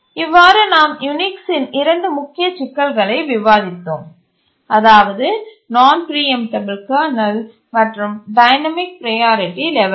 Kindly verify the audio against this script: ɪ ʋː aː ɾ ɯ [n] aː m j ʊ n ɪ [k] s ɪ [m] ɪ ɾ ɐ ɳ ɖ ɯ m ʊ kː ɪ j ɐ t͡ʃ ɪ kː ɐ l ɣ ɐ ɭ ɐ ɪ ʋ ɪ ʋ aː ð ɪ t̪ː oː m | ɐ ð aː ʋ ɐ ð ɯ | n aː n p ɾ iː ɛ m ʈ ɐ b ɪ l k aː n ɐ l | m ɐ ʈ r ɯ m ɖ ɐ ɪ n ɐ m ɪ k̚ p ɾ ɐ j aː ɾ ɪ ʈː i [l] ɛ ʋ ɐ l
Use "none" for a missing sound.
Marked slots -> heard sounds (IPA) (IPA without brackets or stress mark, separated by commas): n, k, n, l